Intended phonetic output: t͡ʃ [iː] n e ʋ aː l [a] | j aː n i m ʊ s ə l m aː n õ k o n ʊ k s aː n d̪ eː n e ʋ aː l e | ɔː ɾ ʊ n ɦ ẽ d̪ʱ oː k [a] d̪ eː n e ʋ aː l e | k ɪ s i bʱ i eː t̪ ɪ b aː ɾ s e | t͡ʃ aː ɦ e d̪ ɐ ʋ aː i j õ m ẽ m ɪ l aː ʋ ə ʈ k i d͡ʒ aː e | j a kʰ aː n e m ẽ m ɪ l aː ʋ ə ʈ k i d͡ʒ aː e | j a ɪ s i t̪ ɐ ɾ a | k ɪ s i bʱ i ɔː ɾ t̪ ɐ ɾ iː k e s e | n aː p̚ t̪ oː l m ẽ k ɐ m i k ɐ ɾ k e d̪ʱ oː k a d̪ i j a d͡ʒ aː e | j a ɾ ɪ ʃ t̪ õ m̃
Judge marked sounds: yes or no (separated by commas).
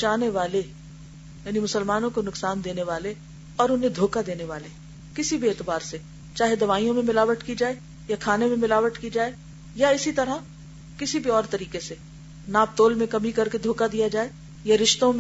no, no, yes